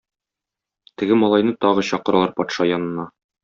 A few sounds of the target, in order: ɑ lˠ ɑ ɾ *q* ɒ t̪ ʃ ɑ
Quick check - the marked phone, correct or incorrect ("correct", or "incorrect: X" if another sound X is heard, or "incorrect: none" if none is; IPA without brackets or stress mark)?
incorrect: p